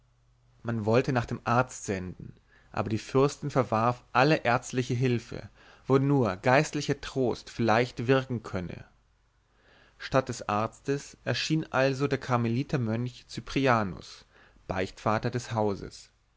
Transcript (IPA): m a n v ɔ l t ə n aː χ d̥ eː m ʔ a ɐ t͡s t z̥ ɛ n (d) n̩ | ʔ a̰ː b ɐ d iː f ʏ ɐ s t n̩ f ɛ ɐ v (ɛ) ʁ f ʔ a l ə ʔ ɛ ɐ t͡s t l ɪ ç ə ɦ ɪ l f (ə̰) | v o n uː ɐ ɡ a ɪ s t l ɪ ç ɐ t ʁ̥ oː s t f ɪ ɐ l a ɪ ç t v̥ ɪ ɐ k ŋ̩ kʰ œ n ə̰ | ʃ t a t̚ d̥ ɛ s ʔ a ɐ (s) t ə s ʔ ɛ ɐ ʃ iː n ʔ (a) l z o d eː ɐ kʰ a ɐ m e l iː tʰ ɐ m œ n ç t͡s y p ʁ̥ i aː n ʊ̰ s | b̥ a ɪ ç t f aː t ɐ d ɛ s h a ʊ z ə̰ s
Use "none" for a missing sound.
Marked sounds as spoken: d, a, ə̰, t͡s, a

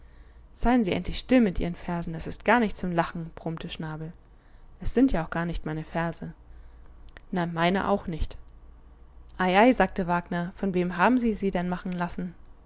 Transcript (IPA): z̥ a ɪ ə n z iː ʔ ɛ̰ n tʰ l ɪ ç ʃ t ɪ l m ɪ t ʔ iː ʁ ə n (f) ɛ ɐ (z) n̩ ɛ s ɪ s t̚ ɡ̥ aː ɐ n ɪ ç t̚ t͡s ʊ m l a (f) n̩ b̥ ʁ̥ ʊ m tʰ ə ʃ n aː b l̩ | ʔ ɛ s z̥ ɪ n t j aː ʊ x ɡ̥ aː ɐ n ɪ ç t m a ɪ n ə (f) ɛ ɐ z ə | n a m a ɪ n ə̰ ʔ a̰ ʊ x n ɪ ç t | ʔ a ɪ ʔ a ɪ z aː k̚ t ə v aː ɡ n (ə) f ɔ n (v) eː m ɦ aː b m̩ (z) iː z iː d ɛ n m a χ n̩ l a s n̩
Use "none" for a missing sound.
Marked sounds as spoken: f, z, χ, f, ɐ, v, z

